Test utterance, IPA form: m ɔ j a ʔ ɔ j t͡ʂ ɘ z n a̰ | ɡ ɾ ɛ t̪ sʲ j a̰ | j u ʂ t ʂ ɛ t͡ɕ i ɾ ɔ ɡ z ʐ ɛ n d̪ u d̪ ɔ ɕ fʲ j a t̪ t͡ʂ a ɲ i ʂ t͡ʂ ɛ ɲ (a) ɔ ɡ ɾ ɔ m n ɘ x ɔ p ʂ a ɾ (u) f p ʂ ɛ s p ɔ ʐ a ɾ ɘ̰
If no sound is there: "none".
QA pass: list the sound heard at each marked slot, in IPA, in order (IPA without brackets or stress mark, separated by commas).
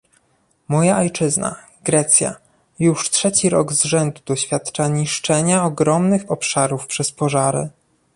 a, u